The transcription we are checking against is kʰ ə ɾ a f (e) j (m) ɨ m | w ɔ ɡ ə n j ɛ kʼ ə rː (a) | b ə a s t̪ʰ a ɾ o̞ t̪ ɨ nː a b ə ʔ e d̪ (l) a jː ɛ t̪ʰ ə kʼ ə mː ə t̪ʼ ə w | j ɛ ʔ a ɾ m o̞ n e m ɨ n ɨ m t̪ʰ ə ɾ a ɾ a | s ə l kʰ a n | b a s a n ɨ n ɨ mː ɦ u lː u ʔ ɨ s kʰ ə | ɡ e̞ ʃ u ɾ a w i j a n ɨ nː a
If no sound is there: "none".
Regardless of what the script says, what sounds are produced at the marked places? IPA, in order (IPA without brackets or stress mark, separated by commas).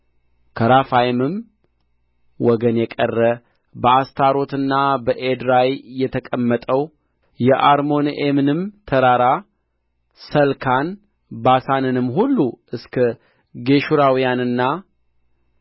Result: a, m, ə, ɾ